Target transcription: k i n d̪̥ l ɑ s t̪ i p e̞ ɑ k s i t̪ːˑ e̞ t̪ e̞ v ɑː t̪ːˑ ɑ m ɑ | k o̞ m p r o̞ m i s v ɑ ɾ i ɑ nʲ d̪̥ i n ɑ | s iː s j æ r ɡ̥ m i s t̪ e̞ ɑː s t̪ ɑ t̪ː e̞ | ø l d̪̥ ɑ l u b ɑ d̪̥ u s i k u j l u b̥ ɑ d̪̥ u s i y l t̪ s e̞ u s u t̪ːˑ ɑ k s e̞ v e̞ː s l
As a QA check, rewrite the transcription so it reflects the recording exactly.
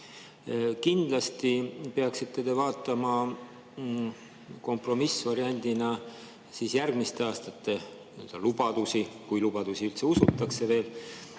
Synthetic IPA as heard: k i n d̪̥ l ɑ s t̪ i p e̞ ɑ k s i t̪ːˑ e̞ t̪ e̞ v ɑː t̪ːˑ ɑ m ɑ | k o̞ m p r o̞ m i s v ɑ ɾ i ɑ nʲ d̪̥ i n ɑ | s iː s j æ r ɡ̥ m i s t̪ e̞ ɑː s t̪ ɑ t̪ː e̞ | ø l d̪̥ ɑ l u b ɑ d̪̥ u s i k u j l u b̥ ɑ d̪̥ u s i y l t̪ s e̞ u s u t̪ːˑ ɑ k s e̞ v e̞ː l